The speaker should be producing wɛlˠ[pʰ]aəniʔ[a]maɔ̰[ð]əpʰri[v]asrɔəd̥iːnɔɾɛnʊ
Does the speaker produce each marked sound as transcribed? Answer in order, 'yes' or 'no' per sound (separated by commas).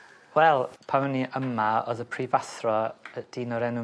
yes, no, yes, yes